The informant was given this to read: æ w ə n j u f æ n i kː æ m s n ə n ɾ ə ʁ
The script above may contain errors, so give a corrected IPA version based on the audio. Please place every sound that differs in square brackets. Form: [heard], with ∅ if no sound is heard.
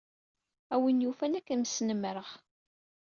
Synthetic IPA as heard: æ w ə n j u f æ n [æ] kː æ m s n ə [m] ɾ ə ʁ